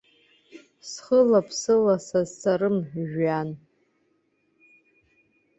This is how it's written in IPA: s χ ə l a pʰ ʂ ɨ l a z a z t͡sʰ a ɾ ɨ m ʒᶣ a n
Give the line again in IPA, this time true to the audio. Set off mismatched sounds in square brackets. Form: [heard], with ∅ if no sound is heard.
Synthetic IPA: s χ ə l a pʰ [s] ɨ l a [s] a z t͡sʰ a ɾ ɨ m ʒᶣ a n